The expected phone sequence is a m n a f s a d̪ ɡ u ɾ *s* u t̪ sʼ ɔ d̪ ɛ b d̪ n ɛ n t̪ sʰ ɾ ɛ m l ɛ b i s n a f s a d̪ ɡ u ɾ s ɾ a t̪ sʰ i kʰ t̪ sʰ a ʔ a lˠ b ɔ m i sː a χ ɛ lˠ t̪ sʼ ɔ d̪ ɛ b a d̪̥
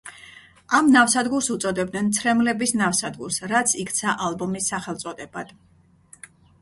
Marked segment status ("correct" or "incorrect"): correct